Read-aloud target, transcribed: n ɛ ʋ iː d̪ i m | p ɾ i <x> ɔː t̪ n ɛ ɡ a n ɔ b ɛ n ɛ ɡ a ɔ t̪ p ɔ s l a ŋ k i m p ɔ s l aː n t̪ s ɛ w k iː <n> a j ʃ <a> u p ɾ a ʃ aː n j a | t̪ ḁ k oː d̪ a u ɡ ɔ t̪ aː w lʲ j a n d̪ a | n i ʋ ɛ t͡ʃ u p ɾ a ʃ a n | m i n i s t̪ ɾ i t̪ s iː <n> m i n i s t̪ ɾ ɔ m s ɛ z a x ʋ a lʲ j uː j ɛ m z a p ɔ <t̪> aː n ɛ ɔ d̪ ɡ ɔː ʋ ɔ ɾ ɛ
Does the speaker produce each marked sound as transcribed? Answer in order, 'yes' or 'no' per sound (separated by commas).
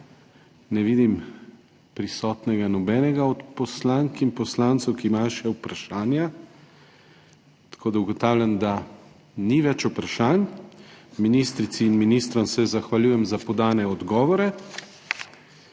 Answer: no, no, no, yes, no